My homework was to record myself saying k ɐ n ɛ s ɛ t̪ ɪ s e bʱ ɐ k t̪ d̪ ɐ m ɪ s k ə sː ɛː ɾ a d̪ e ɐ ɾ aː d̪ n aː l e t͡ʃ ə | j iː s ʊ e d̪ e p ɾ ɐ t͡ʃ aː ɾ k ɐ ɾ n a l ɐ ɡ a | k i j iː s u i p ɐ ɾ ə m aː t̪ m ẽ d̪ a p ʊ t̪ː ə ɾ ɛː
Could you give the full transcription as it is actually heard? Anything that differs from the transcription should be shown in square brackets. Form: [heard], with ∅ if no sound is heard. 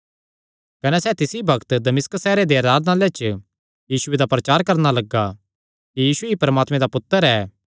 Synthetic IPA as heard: k ɐ n ɛ s ɛ t̪ ɪ s [i] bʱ ɐ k t̪ d̪ ɐ m ɪ s k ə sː ɛː ɾ [e] d̪ e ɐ ɾ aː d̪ n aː l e t͡ʃ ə | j iː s ʊ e d̪ [a] p ɾ ɐ t͡ʃ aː ɾ k ɐ ɾ n a l ɐ ɡ a | k i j iː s u i p ɐ ɾ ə m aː t̪ m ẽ d̪ a p ʊ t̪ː ə ɾ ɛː